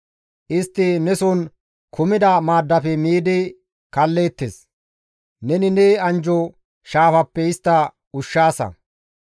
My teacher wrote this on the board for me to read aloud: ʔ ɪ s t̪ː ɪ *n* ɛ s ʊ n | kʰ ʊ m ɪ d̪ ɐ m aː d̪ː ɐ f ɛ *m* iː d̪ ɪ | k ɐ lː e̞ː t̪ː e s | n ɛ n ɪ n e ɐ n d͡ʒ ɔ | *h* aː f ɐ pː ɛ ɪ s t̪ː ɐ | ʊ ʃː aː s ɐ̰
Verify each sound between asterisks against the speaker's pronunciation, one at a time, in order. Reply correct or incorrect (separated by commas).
correct, correct, incorrect